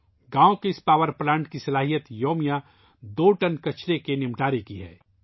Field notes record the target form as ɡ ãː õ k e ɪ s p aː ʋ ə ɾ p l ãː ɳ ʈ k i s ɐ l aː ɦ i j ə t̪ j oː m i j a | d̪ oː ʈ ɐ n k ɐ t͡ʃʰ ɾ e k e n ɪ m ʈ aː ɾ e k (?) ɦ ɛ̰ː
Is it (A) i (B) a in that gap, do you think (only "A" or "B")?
A